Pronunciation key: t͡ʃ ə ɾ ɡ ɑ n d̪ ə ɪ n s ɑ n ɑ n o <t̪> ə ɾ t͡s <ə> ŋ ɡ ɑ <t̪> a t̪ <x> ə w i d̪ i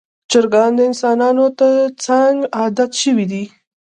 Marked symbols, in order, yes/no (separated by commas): yes, no, no, no